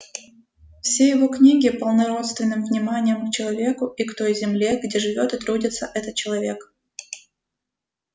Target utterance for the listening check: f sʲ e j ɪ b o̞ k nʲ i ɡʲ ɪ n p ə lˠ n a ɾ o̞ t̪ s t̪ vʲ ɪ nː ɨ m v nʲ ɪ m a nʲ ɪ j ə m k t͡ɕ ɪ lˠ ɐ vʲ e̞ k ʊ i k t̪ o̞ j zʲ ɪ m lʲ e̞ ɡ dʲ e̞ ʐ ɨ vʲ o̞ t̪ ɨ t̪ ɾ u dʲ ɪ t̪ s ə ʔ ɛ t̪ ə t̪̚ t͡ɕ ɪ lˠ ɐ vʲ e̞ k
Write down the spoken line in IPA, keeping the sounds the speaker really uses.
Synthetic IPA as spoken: f sʲ e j ɪ v o̞ k nʲ i ɡʲ ɪ p ə lˠ n ɐ ɾ o̞ t̪ s t̪ vʲ ɪ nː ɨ m v nʲ ɪ m a nʲ ɪ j ə m k t͡ɕ ɪ lˠ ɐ vʲ e̞ k ʊ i k t̪ o̞ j zʲ ɪ m lʲ e̞ ɡ dʲ e̞ ʐ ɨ vʲ o̞ t̪ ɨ t̪ ɾ u dʲ ɪ t̪ s ə ʔ ɛ t̪ ə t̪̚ t͡ɕ ɪ lˠ ɐ vʲ e̞ k